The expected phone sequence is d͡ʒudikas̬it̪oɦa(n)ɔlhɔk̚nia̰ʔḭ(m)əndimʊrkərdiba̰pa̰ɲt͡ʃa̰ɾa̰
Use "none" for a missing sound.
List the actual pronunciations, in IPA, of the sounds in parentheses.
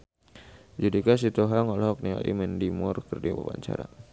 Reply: ŋ, m

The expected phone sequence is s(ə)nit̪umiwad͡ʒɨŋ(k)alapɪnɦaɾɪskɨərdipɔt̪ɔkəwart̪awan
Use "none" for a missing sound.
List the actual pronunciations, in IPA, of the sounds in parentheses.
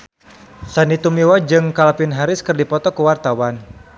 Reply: a, k

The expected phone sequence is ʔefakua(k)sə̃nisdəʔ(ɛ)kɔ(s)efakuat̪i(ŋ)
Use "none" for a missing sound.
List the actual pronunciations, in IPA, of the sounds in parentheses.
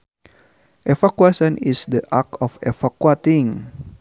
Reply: none, a, f, ŋ

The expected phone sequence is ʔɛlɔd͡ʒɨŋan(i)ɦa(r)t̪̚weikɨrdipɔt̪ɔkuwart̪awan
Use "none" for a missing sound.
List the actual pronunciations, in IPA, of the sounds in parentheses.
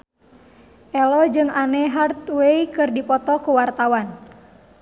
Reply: ɛ, r

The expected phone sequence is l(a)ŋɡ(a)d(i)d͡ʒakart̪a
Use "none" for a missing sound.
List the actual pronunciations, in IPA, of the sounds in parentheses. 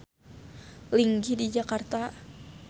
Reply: i, i, i

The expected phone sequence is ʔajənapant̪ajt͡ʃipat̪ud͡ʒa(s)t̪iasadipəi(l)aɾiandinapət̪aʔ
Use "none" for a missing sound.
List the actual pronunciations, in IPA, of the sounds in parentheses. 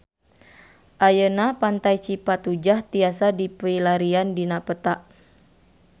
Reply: h, l

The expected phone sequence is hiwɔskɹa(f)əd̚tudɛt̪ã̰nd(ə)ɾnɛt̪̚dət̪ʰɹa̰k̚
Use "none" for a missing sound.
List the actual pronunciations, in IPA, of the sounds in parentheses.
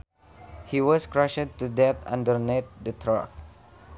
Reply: ʃ, ə

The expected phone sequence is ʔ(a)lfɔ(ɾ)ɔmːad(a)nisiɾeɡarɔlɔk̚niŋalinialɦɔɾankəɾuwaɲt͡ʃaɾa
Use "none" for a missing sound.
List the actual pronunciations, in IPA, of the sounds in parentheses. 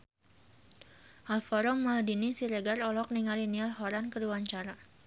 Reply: a, ɾ, i

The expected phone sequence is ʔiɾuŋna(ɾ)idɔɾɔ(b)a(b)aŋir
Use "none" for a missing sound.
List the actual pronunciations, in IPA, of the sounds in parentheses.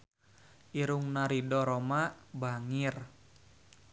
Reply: ɾ, m, b

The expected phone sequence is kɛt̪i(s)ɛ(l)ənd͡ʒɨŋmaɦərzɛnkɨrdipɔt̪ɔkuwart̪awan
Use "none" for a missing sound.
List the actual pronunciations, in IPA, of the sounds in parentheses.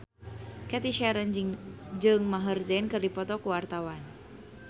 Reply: ʃ, ɾ

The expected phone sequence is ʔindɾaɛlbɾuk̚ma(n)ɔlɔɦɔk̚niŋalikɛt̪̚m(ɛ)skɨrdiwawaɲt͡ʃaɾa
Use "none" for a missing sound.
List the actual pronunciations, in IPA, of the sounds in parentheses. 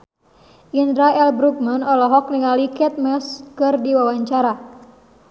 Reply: n, ɛ

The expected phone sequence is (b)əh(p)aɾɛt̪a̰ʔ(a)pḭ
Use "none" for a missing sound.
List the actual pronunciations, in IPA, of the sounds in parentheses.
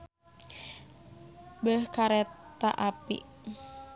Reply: b, k, a

